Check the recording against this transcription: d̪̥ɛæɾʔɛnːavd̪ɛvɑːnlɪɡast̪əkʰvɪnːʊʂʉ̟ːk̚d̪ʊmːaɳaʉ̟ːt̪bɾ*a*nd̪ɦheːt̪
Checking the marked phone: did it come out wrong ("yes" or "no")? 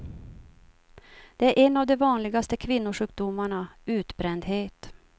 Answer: yes